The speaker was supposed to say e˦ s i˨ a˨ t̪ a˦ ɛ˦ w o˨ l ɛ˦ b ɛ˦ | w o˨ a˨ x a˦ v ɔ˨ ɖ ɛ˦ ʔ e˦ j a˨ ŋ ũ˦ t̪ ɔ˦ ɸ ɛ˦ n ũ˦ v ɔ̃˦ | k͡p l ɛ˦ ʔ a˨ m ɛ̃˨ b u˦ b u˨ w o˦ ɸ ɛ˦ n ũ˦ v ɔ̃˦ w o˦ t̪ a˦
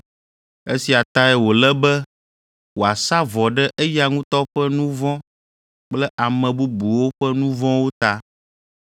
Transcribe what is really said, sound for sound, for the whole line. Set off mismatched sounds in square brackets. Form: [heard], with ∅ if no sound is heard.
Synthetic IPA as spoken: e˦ s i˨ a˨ t̪ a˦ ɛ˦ w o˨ l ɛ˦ b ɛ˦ | w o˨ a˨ [s] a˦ v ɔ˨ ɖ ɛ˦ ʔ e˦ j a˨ ŋ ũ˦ t̪ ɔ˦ ɸ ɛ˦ n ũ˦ v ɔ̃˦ | k͡p l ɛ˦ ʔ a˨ m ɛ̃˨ b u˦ b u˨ w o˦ ɸ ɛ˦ n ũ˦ v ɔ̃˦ w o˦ t̪ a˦